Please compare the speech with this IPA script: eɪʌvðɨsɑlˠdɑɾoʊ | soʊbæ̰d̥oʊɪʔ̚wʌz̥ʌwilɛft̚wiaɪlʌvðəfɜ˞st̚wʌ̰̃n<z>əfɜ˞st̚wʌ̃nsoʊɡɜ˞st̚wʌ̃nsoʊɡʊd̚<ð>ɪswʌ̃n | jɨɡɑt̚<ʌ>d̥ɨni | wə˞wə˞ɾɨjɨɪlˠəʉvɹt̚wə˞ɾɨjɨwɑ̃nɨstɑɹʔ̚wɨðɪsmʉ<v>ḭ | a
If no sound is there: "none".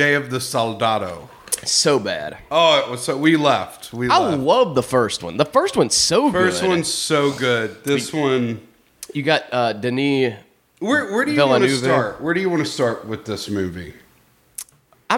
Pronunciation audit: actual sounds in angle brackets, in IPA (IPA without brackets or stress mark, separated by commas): ð, ð, ʌ, v